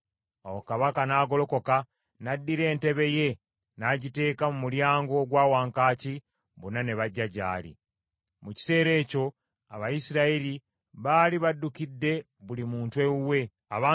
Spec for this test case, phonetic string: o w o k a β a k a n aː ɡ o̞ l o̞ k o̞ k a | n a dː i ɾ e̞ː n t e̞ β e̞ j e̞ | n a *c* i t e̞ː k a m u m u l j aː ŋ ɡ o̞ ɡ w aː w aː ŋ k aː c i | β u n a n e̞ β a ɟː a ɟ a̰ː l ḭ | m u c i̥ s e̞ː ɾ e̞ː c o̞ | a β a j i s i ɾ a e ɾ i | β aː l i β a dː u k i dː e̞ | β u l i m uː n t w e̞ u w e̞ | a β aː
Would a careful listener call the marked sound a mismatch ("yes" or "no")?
yes